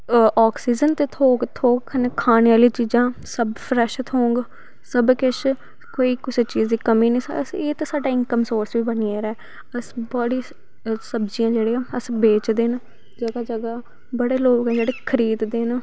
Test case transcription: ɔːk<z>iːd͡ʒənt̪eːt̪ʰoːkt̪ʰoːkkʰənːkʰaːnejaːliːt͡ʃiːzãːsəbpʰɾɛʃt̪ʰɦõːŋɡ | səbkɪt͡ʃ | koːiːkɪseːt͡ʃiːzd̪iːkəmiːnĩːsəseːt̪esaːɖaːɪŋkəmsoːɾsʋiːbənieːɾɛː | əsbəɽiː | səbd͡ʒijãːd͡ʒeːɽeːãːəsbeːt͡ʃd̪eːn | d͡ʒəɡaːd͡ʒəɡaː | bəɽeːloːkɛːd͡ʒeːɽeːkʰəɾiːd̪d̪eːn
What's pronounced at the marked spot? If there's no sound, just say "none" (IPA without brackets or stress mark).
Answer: s